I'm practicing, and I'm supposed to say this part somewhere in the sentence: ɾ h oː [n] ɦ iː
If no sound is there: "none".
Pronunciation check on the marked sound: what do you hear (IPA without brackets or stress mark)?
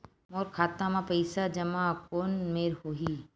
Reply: none